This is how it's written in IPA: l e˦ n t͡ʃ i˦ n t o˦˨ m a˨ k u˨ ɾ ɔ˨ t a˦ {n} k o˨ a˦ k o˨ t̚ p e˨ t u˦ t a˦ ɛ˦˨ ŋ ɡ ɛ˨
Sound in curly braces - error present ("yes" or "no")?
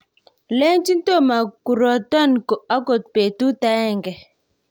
no